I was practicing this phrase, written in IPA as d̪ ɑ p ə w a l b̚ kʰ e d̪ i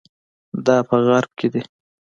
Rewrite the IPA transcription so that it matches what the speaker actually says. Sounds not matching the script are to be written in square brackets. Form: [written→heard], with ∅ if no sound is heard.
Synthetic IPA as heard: d̪ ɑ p ə [w→ɣ] a [l→ɾ] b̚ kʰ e d̪ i